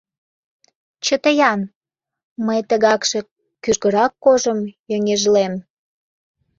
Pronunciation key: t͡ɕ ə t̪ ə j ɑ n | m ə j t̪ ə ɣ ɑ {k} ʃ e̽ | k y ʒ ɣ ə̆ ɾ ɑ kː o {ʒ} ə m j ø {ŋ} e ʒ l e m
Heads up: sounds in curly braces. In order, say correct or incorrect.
correct, correct, correct

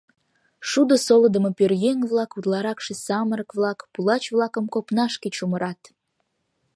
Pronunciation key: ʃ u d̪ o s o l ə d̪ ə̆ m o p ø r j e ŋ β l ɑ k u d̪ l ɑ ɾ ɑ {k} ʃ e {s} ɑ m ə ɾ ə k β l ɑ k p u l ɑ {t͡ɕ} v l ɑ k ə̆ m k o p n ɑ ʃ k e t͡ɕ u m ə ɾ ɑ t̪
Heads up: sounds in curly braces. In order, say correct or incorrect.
correct, correct, correct

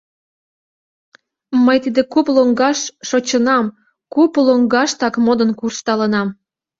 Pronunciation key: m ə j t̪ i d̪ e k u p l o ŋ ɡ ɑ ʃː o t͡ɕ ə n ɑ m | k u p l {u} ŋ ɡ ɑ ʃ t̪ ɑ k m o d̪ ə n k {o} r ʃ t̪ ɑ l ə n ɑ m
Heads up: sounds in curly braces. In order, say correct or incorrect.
incorrect: o, incorrect: u

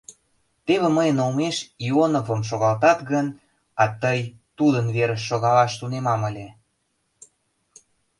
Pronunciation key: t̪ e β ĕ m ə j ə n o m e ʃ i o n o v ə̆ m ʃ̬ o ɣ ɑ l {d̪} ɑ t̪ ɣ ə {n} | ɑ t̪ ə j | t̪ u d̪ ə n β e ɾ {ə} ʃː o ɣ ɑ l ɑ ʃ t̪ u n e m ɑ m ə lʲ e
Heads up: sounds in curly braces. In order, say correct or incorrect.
incorrect: t̪, correct, correct

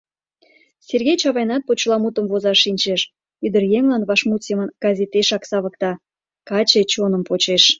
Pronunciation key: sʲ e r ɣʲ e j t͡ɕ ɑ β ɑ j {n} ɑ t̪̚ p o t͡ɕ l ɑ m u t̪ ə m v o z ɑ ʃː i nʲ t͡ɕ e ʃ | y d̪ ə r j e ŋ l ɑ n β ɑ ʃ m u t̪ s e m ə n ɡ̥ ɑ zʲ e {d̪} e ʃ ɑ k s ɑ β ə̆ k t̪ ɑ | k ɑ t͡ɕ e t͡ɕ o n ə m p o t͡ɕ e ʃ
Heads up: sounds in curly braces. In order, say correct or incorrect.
correct, incorrect: t̪

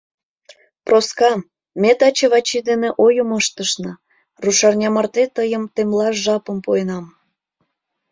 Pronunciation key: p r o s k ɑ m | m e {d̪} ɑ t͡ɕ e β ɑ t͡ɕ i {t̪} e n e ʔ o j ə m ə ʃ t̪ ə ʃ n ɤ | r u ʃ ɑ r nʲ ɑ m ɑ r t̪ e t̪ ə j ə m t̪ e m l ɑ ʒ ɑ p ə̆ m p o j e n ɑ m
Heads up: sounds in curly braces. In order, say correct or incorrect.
incorrect: t̪, incorrect: d̪

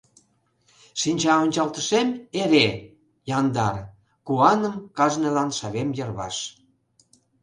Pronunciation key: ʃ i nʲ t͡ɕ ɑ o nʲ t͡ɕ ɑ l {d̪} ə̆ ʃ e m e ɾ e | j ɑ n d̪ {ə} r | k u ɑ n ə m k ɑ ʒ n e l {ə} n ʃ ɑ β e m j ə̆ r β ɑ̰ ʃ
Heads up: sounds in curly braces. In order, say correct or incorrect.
incorrect: t̪, incorrect: ɑ, incorrect: ɑ

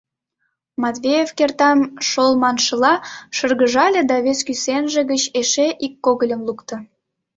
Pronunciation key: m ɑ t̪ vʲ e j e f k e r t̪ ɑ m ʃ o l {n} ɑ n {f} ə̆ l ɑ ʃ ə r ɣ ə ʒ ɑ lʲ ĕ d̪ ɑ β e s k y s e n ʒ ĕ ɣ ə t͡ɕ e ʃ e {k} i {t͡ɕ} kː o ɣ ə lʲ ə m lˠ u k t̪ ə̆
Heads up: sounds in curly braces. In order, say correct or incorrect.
incorrect: m, incorrect: ʃ, incorrect: ʔ, incorrect: none

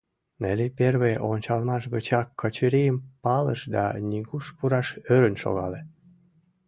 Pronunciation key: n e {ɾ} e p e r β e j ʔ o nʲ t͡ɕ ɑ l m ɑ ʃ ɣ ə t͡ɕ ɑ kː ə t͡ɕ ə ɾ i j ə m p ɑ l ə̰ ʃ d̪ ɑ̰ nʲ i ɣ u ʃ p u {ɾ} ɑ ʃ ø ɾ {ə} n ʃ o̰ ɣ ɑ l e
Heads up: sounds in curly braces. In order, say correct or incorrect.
incorrect: l, correct, correct

